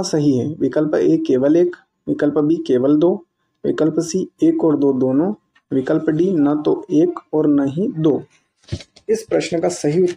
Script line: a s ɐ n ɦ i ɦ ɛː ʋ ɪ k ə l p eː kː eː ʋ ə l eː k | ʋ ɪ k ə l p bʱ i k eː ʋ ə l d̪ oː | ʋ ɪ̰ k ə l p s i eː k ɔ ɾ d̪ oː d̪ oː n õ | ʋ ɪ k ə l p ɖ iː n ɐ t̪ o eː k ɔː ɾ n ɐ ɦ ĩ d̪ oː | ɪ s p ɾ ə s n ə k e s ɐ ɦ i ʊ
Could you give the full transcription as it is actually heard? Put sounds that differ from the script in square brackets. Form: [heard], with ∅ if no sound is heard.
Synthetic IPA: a s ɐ [∅] ɦ i ɦ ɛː ʋ ɪ k ə l p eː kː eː ʋ ə l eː k | ʋ ɪ k ə l p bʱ i k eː ʋ ə l d̪ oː | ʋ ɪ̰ k ə l p s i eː k [ɔː] ɾ d̪ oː d̪ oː n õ | ʋ ɪ k ə l p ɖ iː n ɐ t̪ o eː k ɔː ɾ n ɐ ɦ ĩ d̪ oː | ɪ s p ɾ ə [ʃ] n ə k [a] s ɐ ɦ i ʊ